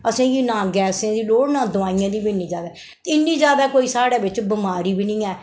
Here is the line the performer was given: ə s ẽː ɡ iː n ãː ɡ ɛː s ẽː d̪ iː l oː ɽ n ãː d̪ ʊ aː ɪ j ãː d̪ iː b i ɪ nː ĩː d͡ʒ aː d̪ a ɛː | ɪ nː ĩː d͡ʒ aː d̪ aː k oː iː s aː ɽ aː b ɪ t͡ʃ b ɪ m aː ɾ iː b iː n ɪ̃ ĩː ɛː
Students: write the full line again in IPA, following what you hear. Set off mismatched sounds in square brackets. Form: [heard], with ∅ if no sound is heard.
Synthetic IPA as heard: ə s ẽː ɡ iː n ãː ɡ ɛː s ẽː d̪ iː l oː ɽ n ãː d̪ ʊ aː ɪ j ãː d̪ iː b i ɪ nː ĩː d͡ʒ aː d̪ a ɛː | ɪ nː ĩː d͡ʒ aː d̪ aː k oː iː s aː ɽ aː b ɪ t͡ʃ b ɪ m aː ɾ iː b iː n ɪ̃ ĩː ɛː